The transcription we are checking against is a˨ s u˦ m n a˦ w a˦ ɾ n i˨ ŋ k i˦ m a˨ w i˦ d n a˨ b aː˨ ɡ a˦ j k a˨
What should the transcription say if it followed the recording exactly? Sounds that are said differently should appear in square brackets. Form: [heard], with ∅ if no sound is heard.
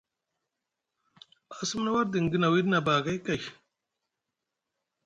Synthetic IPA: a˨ s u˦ m n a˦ w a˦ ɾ [d] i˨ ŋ [ɡ] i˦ [n] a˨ w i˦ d n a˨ b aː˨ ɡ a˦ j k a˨